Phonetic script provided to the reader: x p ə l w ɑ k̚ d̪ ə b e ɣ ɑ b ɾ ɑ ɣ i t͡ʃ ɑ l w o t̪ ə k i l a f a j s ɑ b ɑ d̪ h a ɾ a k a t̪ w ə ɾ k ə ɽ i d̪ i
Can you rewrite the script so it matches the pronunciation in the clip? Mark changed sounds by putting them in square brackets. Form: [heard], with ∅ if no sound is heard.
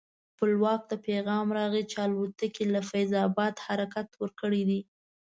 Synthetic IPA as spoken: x p ə l w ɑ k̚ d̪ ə [p] e ɣ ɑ [m] ɾ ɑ ɣ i t͡ʃ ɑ l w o t̪ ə k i l a f a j [z] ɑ b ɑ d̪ h a ɾ a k a t̪ w ə ɾ k ə ɽ i d̪ i